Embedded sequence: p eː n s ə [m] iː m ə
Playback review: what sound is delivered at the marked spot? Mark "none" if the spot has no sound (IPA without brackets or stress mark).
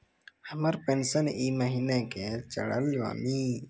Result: n